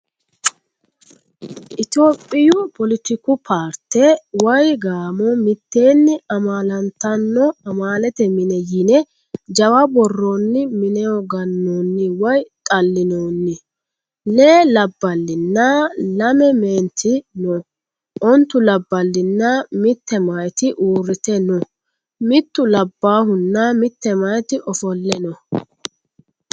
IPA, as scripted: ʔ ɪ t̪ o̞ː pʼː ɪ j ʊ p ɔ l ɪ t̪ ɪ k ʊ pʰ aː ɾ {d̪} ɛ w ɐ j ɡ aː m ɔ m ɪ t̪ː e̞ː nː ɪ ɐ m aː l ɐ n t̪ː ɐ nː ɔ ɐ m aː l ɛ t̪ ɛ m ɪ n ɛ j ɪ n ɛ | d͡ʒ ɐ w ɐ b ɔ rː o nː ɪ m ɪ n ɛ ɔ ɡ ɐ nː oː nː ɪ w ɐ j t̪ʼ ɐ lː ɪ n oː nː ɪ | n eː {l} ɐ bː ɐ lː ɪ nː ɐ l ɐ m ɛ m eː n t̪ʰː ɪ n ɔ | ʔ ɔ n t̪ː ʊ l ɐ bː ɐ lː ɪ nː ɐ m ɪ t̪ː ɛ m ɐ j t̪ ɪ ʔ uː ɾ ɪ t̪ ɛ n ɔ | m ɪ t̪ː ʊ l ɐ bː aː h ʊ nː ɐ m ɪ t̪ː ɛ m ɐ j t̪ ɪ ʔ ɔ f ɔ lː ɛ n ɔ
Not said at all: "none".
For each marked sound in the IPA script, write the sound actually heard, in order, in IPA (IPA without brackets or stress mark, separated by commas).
t̪, l